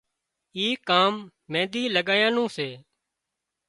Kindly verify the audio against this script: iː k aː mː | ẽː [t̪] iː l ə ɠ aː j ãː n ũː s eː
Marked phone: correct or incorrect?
incorrect